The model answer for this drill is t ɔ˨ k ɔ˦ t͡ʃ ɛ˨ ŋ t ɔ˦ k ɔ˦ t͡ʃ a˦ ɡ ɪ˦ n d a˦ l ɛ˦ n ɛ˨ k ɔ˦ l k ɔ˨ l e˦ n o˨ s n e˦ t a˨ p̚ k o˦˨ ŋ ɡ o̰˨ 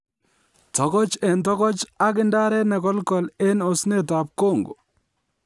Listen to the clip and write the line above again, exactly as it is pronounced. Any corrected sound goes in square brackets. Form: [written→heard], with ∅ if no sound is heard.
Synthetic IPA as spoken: t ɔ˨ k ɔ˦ t͡ʃ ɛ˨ [ŋ→n] t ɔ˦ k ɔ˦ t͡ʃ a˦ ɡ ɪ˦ n d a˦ [l→ɾ] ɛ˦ n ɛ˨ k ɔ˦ l k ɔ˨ l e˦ n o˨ s n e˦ t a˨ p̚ k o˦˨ ŋ ɡ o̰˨